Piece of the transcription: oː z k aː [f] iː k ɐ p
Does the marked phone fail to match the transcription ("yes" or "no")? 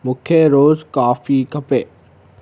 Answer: no